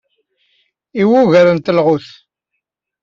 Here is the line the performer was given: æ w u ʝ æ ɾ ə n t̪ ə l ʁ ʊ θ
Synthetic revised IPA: i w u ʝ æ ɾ ə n t̪ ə l ʁ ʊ θ